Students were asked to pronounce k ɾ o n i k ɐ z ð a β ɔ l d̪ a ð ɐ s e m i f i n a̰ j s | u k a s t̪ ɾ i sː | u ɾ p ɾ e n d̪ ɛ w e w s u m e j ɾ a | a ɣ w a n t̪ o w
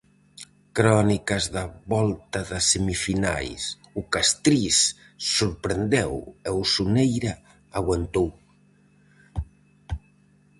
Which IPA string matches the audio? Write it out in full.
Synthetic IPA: k ɾ ɔ n i k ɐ z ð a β ɔ l t̪ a ð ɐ s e m i f i n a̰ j s | u k a s t̪ ɾ i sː | u ɾ p ɾ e n d̪ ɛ w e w s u n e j ɾ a | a ɣ w a n t̪ o w